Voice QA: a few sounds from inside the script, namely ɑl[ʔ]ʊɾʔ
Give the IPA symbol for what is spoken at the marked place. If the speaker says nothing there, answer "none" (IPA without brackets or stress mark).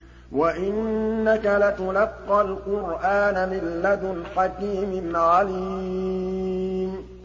q